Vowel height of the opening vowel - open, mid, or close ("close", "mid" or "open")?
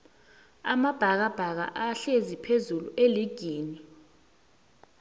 open